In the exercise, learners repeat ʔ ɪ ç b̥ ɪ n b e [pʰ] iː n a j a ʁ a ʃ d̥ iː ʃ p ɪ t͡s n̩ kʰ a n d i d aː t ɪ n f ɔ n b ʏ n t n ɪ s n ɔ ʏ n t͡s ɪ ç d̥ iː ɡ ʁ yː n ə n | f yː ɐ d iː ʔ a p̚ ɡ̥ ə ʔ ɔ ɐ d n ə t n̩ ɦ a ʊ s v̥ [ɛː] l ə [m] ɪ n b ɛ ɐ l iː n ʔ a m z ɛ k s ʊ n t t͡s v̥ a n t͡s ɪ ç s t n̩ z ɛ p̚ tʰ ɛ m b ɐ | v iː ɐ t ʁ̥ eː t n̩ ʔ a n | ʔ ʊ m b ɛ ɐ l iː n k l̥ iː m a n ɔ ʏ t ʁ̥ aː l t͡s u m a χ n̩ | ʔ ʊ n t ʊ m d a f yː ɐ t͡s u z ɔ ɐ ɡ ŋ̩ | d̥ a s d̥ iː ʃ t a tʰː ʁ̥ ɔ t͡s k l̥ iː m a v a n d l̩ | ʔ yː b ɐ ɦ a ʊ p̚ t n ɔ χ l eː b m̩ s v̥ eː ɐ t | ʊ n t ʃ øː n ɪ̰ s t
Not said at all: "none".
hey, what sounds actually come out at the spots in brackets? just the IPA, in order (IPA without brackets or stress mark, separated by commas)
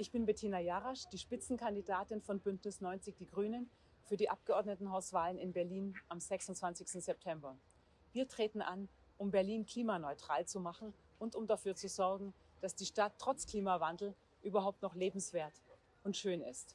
tʰ, aː, n